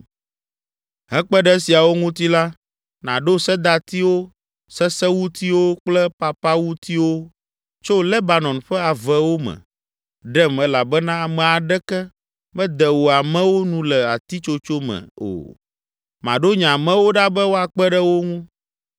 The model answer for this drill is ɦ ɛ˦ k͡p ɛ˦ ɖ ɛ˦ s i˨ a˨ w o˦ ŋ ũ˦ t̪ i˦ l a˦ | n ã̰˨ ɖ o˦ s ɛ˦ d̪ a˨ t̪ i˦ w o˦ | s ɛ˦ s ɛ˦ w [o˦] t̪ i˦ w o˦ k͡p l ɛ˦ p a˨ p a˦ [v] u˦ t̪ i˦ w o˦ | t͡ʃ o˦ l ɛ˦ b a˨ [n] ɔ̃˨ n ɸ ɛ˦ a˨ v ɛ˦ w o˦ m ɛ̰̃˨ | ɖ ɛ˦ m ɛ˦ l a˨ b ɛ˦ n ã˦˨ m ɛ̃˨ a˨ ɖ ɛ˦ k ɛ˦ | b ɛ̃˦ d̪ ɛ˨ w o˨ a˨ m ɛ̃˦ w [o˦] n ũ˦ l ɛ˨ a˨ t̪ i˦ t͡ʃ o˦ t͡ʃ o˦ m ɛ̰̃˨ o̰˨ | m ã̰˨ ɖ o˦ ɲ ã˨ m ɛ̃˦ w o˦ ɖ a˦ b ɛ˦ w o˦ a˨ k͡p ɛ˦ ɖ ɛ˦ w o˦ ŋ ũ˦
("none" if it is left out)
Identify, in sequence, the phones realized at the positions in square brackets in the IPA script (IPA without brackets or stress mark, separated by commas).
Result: u˦, w, n, o˦